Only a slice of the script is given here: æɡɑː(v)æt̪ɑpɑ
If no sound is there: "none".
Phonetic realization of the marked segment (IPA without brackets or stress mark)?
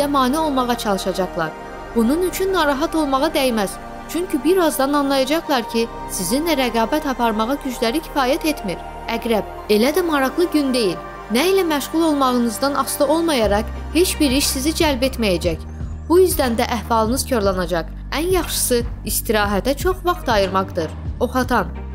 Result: b